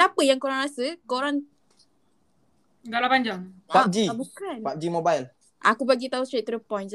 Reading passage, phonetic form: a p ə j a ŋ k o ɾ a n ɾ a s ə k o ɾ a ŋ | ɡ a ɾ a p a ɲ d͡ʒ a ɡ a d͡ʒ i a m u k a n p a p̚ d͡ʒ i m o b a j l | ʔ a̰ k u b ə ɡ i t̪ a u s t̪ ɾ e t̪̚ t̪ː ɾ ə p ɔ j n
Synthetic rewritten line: a p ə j a ŋ k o ɾ a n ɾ a s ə k o ɾ a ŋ | ɡ a l a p a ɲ d͡ʒ a ŋ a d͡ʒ i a b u k a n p a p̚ d͡ʒ i m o b a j l | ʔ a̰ k u b a ɡ i t̪ a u s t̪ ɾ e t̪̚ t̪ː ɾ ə p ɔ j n